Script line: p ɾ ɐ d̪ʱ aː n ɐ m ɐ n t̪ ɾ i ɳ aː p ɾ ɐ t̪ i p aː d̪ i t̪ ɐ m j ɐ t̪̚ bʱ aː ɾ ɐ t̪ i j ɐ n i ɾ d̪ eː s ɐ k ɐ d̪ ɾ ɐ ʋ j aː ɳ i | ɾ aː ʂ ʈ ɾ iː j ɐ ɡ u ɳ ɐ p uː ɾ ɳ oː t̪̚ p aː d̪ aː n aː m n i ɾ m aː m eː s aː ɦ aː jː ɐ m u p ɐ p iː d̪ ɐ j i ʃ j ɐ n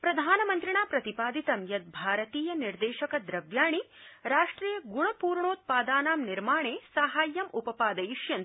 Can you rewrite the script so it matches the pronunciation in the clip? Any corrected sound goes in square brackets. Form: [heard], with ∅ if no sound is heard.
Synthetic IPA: p ɾ ɐ d̪ʱ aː n ɐ m ɐ n t̪ ɾ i ɳ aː p ɾ ɐ t̪ i p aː d̪ i t̪ ɐ m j ɐ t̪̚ bʱ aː ɾ ɐ t̪ [iː] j ɐ n i ɾ d̪ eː [ʃ] ɐ k ɐ d̪ ɾ ɐ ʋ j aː ɳ i | ɾ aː ʂ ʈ ɾ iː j ɐ ɡ u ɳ ɐ p uː ɾ ɳ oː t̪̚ p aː d̪ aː n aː m n i ɾ m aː [ɳ] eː s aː ɦ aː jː ɐ m u p ɐ p [aː] d̪ ɐ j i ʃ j ɐ n